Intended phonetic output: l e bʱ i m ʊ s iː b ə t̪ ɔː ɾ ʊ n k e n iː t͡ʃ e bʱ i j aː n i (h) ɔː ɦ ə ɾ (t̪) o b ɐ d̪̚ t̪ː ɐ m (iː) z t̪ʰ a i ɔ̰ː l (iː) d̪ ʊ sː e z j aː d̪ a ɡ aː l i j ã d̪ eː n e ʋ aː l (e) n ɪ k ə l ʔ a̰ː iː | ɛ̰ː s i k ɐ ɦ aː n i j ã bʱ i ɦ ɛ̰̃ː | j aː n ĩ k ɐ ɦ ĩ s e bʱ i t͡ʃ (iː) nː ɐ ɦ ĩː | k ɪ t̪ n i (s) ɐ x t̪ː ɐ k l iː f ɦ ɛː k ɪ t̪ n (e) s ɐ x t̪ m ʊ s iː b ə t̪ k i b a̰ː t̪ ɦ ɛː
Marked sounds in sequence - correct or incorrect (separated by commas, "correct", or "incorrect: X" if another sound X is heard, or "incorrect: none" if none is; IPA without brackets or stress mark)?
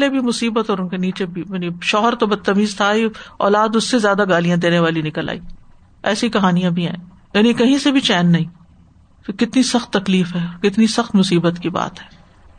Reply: incorrect: ʃ, correct, correct, incorrect: aː, incorrect: i, incorrect: ɛː, correct, incorrect: i